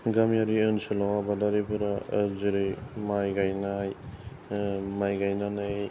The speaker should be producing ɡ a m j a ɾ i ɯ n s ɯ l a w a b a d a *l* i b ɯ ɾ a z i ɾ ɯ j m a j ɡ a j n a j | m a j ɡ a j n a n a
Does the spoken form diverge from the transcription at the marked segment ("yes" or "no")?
yes